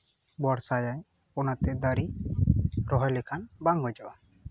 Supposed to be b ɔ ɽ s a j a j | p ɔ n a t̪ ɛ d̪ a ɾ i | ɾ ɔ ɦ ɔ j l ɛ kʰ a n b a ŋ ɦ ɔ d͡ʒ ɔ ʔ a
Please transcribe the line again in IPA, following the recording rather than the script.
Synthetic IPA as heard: b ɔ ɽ s a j a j | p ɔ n a t̪ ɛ d̪ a ɾ i | ɾ ɔ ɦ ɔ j l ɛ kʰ a n b a ŋ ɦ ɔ d͡ʒ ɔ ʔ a